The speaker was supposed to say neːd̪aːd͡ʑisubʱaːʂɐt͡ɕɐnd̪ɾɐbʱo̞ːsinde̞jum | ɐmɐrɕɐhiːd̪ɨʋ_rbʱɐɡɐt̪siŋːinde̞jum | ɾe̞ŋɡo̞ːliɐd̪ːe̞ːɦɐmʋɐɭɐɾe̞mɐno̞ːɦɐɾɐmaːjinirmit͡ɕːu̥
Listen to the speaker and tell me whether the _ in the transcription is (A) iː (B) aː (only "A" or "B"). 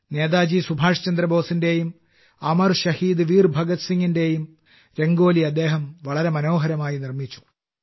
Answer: A